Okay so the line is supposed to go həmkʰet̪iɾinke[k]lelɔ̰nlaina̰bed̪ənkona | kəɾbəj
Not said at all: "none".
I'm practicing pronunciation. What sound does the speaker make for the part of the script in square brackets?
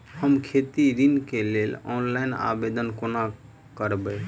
none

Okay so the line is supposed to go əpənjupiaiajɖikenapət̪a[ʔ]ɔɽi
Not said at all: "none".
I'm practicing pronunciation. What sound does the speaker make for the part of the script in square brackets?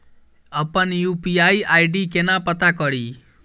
k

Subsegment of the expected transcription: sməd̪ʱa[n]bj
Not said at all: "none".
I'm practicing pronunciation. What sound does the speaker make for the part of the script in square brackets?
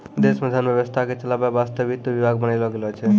n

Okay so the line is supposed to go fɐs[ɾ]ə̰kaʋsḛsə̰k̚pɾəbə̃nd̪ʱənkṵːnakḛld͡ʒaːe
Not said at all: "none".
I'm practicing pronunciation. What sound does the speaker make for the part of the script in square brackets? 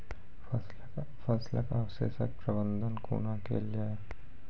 l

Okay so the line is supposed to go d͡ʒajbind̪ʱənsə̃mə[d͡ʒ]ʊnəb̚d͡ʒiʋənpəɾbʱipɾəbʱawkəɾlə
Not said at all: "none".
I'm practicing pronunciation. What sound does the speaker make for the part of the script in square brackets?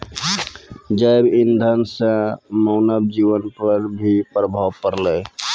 none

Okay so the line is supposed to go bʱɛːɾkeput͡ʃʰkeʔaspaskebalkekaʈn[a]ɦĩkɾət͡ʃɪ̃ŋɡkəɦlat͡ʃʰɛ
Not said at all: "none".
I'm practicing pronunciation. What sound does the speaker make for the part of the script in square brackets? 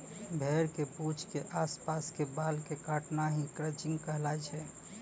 a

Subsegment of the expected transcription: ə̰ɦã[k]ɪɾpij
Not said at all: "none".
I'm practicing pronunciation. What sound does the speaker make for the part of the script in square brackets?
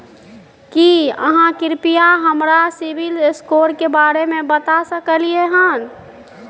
k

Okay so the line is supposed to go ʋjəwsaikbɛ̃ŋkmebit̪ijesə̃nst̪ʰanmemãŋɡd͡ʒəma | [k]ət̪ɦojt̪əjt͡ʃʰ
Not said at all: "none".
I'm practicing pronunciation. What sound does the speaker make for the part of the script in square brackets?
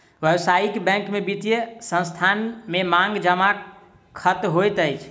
kʰ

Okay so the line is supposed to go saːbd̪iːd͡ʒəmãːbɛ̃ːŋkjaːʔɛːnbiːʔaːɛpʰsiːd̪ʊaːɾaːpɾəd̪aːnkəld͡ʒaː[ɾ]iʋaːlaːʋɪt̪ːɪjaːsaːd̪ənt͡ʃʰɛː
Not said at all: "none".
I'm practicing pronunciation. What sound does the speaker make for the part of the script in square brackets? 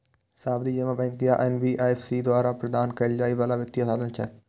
none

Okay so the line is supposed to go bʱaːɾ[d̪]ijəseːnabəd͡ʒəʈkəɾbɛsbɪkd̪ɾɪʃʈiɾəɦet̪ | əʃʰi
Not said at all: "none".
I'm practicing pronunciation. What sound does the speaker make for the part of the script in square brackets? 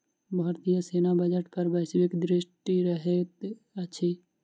t̪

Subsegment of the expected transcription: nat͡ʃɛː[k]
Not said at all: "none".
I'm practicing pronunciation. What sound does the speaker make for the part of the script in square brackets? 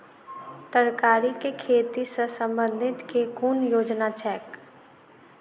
k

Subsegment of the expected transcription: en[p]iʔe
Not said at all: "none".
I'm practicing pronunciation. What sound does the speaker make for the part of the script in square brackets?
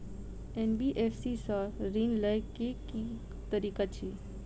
b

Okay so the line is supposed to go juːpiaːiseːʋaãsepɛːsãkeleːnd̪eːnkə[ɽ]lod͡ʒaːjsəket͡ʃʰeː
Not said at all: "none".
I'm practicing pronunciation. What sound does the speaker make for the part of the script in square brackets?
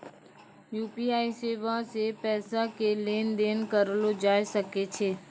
ɾ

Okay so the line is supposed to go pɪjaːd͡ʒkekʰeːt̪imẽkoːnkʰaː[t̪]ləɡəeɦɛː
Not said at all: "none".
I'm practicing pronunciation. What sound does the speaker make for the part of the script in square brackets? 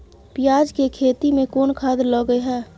d̪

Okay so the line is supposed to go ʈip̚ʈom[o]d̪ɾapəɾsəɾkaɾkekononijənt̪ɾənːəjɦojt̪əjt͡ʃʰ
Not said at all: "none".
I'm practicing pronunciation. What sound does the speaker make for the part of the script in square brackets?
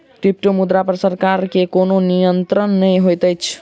u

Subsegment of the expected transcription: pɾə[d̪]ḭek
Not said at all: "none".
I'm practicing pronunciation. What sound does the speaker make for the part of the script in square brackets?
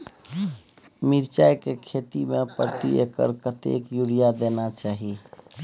t̪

